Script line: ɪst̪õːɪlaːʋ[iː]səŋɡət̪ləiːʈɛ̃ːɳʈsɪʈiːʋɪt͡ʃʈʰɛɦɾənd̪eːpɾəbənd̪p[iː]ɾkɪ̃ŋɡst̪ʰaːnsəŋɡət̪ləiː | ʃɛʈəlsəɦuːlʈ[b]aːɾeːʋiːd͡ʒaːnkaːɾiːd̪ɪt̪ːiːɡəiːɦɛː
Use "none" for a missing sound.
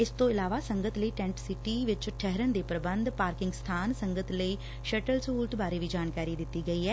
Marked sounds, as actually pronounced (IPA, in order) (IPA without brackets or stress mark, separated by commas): aː, aː, b